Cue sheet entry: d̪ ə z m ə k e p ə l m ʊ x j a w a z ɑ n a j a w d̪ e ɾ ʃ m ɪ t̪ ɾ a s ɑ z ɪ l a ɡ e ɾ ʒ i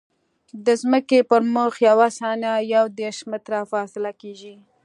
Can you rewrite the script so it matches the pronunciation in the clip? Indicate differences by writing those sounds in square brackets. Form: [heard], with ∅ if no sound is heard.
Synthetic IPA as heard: d̪ ə z m ə k e p ə [ɾ] m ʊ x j a w a [s] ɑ n a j a w d̪ e ɾ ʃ m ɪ t̪ ɾ a [f] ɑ [s] ɪ l a [k] e [∅] ʒ i